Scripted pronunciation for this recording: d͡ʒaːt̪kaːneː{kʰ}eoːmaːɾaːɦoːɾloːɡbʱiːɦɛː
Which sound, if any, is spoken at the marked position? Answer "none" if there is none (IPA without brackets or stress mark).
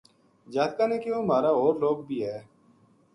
k